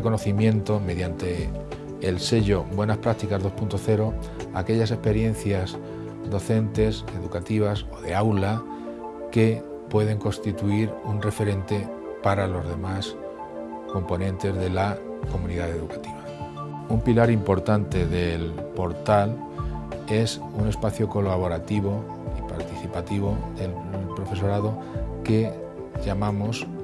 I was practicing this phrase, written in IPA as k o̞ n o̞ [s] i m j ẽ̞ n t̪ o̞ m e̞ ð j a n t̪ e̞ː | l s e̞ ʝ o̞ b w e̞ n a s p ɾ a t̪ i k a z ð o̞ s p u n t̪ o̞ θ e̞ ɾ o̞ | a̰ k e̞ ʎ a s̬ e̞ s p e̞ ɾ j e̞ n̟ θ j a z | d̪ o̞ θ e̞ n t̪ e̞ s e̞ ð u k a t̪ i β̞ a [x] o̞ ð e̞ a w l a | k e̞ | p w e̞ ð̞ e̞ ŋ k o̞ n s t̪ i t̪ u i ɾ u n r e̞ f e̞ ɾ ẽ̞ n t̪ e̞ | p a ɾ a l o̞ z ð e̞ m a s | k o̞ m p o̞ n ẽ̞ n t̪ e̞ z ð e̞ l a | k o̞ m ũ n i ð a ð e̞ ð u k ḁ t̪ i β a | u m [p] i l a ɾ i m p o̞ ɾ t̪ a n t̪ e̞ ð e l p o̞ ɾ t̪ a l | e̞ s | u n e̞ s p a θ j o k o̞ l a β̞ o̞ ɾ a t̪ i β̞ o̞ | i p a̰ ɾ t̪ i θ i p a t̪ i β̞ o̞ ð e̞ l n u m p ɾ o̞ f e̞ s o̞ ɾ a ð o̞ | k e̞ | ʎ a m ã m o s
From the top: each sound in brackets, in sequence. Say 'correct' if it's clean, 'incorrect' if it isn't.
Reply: incorrect: θ, incorrect: s, correct

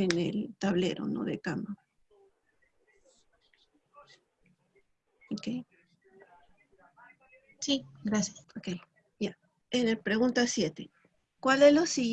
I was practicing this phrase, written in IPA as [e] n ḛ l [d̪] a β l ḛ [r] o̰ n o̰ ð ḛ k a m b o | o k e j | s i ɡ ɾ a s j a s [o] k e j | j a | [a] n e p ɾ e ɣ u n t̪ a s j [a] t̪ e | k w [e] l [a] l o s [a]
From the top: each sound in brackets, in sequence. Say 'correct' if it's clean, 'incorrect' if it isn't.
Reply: correct, incorrect: t̪, incorrect: ɾ, correct, incorrect: e, incorrect: e, incorrect: a, incorrect: e, incorrect: i

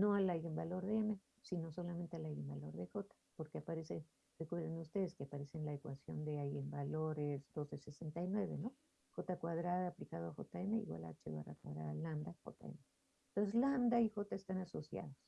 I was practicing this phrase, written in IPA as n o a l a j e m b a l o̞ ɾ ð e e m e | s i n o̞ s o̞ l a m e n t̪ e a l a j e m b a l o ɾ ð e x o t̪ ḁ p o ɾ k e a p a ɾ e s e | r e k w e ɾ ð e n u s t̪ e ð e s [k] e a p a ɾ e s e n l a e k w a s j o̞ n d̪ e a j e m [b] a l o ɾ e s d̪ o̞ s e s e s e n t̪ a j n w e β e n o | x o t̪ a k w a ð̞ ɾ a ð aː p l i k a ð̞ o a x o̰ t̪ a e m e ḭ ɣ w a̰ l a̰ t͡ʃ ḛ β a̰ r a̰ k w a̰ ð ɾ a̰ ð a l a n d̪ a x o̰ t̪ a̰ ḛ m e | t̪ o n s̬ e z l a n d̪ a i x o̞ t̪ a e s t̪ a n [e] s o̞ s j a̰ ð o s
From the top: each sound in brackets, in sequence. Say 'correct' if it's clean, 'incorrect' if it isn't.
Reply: correct, correct, incorrect: a

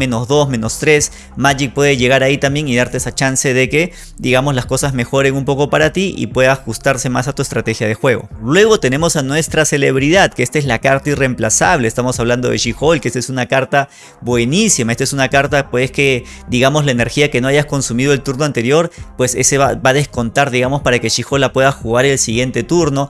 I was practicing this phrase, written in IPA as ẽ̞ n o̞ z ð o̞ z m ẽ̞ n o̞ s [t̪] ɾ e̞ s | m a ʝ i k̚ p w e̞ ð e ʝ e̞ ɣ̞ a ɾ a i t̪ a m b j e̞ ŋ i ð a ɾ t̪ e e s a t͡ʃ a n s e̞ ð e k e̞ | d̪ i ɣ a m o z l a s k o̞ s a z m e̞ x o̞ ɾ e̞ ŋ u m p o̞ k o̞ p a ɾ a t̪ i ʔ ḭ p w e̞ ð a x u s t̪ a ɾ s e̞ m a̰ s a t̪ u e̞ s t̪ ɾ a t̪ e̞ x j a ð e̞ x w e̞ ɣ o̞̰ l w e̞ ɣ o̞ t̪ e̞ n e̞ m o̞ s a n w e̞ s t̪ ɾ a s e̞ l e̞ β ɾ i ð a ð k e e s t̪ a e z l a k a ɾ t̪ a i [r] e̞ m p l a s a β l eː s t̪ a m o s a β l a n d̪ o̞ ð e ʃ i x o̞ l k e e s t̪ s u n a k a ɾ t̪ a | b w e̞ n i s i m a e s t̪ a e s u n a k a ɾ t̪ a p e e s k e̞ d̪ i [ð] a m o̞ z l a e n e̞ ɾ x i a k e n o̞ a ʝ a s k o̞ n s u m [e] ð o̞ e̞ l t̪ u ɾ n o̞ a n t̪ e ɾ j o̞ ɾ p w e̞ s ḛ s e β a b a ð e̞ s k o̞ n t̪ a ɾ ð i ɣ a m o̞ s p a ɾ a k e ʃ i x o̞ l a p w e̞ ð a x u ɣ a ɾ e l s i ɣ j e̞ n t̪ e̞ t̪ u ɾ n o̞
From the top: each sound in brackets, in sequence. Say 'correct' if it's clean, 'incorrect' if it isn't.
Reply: correct, correct, incorrect: ɣ, incorrect: i

